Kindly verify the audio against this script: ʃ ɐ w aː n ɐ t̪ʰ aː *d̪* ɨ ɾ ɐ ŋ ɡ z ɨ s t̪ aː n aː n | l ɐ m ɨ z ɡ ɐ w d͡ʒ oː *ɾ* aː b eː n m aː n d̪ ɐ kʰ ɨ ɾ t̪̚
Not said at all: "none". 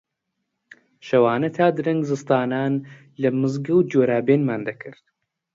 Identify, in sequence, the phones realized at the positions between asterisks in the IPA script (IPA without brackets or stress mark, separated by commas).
d̪, ɾ